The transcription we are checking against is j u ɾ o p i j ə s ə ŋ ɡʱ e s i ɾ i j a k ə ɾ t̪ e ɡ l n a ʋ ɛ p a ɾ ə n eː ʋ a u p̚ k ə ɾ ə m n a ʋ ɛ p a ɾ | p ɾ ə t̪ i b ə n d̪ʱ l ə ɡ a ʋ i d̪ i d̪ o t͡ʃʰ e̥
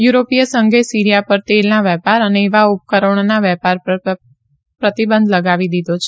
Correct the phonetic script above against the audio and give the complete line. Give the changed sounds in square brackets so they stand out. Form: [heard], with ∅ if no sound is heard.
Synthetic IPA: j u ɾ o p i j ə s ə ŋ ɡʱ e s i ɾ i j a [p] ə ɾ t̪ e [∅] l n a ʋ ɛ p a ɾ ə n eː ʋ a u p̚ k ə ɾ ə [ɳ] n a ʋ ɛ p a ɾ | p ɾ ə t̪ i b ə n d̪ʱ l ə ɡ a ʋ i d̪ i d̪ o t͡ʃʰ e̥